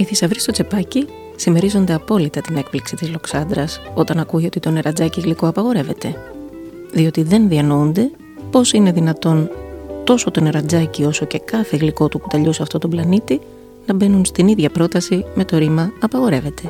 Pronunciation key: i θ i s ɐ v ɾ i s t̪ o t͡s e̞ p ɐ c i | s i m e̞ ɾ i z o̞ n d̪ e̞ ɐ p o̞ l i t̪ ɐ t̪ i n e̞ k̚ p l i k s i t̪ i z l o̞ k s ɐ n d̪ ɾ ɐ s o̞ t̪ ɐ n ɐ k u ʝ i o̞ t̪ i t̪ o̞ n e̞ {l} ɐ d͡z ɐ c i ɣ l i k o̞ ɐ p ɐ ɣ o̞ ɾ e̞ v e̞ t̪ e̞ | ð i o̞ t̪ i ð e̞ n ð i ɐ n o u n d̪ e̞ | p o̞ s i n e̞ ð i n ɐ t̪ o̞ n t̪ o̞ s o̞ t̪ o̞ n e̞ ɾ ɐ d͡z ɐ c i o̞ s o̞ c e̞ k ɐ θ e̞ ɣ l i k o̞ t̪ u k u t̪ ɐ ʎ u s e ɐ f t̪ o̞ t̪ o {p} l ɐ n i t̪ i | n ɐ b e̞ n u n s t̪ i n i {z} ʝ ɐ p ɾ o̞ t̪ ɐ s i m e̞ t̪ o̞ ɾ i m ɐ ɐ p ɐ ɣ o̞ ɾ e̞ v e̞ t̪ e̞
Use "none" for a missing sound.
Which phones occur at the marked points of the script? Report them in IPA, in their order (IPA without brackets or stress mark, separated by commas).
ɾ, b, ð